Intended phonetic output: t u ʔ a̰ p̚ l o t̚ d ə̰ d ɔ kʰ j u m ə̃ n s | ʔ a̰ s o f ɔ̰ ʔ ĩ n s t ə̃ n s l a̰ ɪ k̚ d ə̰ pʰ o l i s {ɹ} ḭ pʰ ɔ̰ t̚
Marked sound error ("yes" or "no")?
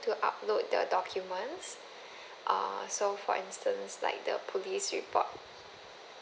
no